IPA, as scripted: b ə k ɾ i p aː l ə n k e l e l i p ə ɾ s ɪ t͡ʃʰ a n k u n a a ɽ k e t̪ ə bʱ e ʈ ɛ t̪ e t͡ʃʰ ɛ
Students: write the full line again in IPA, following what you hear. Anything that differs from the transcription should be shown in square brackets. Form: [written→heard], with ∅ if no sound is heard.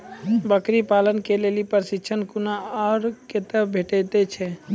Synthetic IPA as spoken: b ə k ɾ i p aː l ə n k e l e l i p ə ɾ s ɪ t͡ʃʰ [a→ə] n k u n a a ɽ k e t̪ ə bʱ e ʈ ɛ t̪ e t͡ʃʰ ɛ